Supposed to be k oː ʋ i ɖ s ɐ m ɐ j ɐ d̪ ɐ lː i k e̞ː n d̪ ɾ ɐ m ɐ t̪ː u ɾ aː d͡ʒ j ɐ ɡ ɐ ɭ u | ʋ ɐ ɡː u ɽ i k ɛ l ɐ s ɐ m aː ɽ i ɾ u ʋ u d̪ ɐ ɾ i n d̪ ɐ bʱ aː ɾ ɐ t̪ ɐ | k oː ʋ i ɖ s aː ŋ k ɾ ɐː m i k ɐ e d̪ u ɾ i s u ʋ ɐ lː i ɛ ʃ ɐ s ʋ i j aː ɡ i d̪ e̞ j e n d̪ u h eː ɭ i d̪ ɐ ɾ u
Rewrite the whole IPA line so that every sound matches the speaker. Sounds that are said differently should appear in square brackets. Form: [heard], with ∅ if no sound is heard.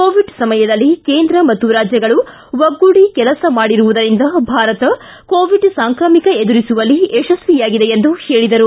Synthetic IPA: k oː ʋ i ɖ s ɐ m ɐ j ɐ d̪ ɐ lː i k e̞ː n d̪ ɾ ɐ m ɐ t̪ː u ɾ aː d͡ʒ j ɐ ɡ ɐ ɭ u | ʋ ɐ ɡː u ɽ i k ɛ l ɐ s ɐ m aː ɽ i ɾ u ʋ u d̪ ɐ ɾ i n d̪ ɐ bʱ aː ɾ ɐ t̪ ɐ | k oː ʋ i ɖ s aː ŋ k ɾ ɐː m i k ɐ e d̪ u ɾ i s u ʋ ɐ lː i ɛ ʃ ɐ s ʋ i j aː ɡ i d̪ e̞ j e n d̪ u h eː ɭ i d̪ ɐ ɾ u

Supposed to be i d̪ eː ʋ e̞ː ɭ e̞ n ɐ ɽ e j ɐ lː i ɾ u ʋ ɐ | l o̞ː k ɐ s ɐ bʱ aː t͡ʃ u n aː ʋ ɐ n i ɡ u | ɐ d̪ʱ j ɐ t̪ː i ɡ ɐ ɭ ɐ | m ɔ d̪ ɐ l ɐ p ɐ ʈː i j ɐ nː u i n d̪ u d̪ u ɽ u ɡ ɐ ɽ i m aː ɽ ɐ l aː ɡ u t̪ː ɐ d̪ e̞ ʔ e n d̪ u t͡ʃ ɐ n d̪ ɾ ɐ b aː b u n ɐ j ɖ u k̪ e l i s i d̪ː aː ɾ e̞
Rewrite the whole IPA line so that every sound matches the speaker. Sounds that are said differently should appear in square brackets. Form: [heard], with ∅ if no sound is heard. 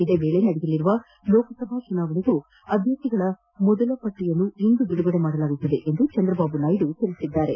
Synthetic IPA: i d̪ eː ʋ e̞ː ɭ e̞ n ɐ ɽ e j ɐ lː i ɾ u ʋ ɐ | l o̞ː k ɐ s ɐ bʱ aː t͡ʃ u n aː ʋ ɐ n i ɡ u | ɐ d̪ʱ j ɐ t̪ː i ɡ ɐ ɭ ɐ | m ɔ d̪ ɐ l ɐ p ɐ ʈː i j ɐ nː u i n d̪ u d̪ u ɽ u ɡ ɐ ɽ [e] m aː ɽ ɐ l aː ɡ u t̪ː ɐ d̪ e̞ ʔ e n d̪ u t͡ʃ ɐ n d̪ ɾ ɐ b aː b u n ɐ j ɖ u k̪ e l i s i d̪ː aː ɾ e̞

